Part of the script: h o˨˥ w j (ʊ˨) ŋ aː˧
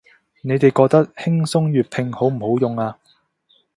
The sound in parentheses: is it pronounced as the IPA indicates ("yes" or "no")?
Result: yes